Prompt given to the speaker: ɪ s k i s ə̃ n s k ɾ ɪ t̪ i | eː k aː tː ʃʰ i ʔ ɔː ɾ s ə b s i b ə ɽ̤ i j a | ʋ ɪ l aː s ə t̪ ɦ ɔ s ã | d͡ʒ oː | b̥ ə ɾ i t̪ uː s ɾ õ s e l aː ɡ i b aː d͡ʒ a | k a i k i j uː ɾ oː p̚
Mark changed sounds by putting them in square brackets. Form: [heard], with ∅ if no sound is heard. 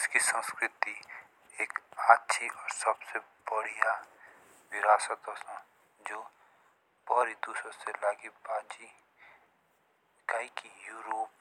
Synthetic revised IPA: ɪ s k i s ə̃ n s k ɾ ɪ t̪ i | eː k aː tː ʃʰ i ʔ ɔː ɾ s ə b s [e] b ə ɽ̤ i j a | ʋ ɪ [ɾ] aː s ə t̪ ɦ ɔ s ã | d͡ʒ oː | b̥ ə ɾ i [d̪] uː s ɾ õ s e l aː ɡ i b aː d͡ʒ [i] | k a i k i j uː ɾ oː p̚